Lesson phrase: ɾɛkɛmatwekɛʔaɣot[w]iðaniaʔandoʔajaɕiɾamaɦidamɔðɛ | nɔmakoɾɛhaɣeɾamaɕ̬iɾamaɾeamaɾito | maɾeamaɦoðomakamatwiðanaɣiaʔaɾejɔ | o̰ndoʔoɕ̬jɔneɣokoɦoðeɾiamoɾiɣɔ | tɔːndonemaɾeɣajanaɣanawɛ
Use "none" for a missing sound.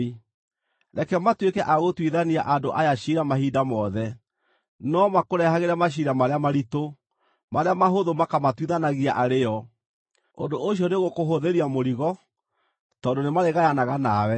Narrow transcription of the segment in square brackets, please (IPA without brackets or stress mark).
w